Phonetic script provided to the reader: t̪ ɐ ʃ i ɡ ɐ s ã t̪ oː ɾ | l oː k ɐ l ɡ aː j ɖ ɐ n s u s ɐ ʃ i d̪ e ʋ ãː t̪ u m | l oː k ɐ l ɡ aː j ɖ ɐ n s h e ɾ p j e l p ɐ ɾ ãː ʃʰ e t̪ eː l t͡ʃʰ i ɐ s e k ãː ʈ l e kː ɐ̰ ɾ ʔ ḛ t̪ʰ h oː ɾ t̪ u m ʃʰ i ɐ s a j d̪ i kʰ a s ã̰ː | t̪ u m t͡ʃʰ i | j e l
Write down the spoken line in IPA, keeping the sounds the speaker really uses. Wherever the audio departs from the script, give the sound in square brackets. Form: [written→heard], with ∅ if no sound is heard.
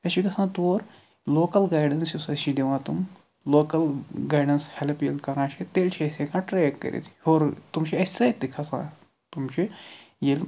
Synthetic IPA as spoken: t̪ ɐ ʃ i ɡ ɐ s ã t̪ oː ɾ | l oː k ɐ l ɡ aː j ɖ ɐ n s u s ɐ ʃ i d̪ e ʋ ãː t̪ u m | l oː k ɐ l ɡ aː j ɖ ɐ n s h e [ɾ→l] p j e l [p→k] ɐ ɾ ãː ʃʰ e t̪ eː l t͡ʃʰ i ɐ s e k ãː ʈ [l→ɾ] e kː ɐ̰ ɾ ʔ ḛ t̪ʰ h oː ɾ t̪ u m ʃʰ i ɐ s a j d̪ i kʰ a s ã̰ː | t̪ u m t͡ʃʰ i | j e l